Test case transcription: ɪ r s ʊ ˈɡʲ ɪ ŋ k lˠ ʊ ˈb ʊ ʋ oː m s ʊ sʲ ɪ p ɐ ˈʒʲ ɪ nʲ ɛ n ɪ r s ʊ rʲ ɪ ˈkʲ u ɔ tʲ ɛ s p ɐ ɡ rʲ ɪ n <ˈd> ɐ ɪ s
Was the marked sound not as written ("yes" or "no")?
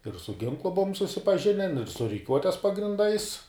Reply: no